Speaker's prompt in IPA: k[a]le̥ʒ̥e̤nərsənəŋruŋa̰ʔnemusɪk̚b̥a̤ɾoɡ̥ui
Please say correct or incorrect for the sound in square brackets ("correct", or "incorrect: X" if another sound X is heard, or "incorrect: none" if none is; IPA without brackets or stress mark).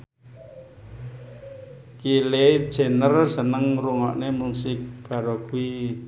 incorrect: i